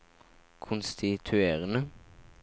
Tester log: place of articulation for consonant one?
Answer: velar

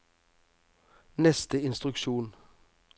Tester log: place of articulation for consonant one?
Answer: alveolar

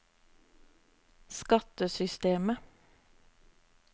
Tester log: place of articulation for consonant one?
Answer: alveolar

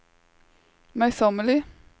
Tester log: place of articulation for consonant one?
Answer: labial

